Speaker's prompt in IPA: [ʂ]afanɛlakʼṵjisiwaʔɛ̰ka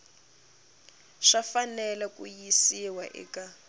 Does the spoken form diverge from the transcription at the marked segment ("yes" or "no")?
no